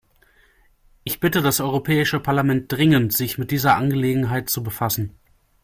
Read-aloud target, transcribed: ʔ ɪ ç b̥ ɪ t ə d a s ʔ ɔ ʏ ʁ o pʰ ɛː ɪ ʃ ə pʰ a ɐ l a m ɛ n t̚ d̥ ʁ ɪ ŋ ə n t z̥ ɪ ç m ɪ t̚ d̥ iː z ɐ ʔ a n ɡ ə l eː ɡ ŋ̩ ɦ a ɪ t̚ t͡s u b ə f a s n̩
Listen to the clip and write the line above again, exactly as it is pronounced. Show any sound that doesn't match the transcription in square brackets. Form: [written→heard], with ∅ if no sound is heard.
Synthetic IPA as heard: ʔ ɪ ç b̥ ɪ t ə d a s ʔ ɔ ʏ ʁ o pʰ ɛː ɪ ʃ ə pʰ a ɐ l a m ɛ n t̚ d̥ ʁ ɪ ŋ ə n t z̥ ɪ ç m ɪ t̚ d̥ iː z ɐ ʔ a n ɡ ə l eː ɡ ŋ̩ ɦ a ɪ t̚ t͡s u b ə f a s n̩